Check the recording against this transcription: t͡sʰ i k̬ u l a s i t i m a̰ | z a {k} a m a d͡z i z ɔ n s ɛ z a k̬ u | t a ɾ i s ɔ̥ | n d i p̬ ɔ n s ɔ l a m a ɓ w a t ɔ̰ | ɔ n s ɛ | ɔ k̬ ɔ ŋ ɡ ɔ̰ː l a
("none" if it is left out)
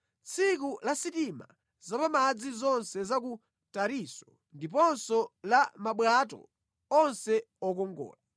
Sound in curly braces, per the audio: p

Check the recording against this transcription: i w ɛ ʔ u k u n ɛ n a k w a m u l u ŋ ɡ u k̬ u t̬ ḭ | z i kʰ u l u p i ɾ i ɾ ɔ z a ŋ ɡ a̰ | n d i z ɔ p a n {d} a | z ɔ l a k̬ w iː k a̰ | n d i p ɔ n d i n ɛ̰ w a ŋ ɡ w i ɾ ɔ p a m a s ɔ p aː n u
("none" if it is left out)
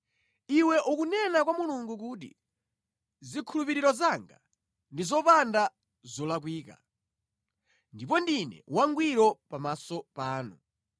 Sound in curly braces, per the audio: d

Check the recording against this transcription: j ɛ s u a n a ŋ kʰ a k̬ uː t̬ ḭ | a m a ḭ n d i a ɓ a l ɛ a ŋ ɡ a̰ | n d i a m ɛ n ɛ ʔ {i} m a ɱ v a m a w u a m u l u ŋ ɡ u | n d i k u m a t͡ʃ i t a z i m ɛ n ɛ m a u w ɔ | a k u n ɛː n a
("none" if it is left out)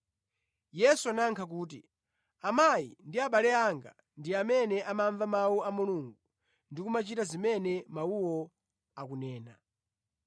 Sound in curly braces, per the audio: a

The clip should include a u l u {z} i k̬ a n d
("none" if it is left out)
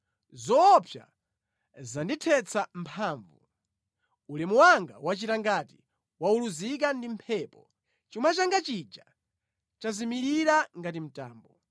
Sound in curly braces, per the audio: z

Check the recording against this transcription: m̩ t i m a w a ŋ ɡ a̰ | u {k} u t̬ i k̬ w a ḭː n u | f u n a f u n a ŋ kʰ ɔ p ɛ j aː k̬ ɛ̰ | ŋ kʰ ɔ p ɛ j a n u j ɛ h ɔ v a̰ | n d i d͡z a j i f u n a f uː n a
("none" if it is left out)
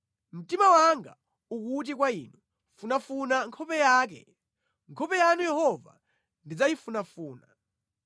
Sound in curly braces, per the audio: k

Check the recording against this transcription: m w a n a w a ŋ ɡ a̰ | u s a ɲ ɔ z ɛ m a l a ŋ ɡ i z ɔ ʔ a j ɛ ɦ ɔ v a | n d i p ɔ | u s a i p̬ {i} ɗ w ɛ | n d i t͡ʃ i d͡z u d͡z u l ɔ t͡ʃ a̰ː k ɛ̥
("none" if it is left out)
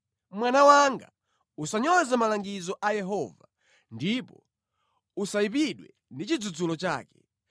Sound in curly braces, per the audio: i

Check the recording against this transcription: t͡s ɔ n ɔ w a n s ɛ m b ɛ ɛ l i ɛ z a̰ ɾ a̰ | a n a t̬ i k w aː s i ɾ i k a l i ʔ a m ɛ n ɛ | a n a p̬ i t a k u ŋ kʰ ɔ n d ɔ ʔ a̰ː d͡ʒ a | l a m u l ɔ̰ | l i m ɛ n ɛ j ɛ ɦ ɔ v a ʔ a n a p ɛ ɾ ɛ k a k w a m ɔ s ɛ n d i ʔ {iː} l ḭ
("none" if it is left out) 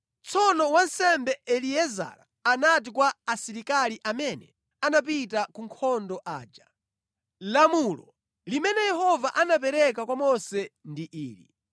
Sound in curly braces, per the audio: iː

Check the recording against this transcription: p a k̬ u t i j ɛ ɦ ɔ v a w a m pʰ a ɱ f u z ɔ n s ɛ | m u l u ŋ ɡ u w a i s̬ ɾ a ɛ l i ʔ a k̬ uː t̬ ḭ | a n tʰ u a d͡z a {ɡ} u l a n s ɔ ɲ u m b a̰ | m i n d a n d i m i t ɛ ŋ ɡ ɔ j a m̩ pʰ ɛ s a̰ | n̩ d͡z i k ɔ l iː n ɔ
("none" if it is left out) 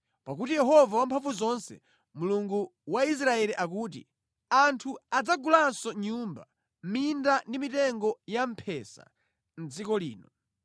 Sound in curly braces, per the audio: ɡ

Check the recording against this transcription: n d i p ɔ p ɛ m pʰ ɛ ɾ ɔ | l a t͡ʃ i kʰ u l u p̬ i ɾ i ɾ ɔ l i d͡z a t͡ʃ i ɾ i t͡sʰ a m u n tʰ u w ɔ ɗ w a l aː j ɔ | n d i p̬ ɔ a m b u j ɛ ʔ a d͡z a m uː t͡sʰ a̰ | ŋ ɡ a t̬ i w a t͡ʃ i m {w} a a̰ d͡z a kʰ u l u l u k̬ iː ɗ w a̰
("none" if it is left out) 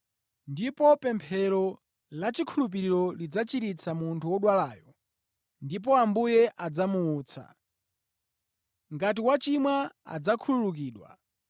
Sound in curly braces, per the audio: w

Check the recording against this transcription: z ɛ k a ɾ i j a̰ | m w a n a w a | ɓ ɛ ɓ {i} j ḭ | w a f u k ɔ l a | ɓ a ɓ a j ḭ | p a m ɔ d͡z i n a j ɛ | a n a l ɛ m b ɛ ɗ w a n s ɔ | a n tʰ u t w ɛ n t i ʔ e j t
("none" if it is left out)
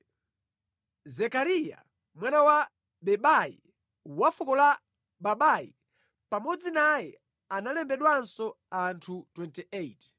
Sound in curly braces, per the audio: a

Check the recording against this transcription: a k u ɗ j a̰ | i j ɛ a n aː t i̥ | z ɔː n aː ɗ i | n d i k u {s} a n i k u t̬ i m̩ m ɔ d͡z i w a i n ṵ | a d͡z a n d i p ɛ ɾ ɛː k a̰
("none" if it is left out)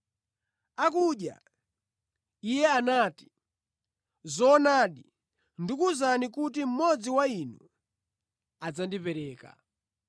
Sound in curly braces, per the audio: z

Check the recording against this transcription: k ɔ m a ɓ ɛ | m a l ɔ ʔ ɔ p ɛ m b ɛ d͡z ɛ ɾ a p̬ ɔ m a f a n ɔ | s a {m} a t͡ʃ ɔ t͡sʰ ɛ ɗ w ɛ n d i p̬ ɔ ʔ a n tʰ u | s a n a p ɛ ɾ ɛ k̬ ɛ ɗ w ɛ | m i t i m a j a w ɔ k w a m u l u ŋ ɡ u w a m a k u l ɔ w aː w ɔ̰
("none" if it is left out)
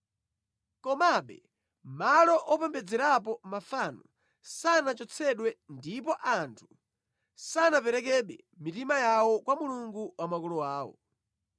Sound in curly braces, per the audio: n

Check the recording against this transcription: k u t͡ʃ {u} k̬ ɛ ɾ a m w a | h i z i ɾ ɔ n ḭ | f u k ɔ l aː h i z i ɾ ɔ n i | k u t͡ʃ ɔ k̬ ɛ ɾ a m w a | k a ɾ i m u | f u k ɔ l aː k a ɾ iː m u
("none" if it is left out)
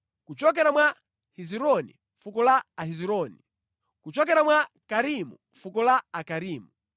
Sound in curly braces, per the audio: ɔ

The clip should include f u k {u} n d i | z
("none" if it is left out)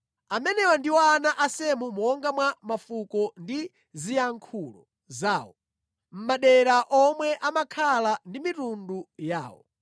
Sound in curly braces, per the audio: ɔ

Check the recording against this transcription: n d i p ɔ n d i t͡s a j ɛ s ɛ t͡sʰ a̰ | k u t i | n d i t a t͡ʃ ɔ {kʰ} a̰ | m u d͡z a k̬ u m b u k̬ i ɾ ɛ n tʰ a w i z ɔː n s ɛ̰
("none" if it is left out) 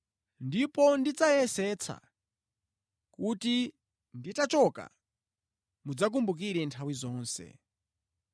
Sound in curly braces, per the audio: k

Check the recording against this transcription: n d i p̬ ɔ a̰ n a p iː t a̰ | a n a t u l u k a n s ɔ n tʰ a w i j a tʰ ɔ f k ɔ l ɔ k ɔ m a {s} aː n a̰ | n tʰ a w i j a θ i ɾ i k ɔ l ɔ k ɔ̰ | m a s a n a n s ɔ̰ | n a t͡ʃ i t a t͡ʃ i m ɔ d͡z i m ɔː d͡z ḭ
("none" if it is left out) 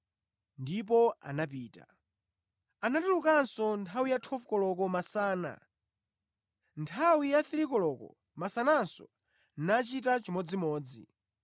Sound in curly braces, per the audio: s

